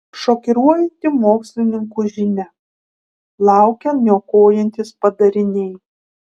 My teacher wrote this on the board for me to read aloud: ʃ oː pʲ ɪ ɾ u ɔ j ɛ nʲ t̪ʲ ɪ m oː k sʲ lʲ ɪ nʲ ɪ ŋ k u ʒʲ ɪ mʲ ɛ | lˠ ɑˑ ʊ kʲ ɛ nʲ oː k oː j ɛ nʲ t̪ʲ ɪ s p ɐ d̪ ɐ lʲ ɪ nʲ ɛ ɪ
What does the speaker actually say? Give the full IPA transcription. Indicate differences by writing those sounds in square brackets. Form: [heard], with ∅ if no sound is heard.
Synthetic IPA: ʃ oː [kʲ] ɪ ɾ u ɔ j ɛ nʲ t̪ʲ ɪ m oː k sʲ lʲ ɪ nʲ ɪ ŋ k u ʒʲ ɪ [nʲ] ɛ | lˠ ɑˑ ʊ kʲ ɛ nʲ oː k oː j ɛ nʲ t̪ʲ ɪ s p ɐ d̪ ɐ [ɾʲ] ɪ nʲ ɛ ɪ